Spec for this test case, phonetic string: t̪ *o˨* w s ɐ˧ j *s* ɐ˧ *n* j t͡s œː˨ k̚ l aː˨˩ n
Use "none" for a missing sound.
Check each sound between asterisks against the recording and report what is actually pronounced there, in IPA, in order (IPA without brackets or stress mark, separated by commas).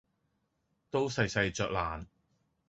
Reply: o˥, s, none